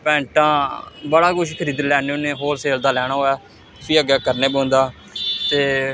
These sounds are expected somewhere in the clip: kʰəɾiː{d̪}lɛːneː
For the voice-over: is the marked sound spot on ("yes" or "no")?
yes